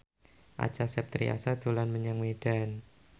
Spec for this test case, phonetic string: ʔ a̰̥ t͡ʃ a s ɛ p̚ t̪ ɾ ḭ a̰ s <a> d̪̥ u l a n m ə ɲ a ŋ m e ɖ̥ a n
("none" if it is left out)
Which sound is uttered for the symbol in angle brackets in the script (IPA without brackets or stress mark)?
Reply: a